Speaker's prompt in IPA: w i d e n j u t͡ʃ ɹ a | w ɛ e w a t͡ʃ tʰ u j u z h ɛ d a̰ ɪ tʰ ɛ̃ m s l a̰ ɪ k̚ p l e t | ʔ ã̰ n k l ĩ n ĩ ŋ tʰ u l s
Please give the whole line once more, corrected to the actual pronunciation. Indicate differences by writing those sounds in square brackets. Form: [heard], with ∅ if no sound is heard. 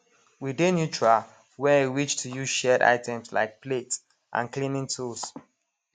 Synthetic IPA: w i d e n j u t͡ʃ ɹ a | w ɛ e w [i] t͡ʃ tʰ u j u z [ʃ] ɛ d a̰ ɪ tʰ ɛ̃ m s l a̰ ɪ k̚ p l e t | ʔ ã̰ n k l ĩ n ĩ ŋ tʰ u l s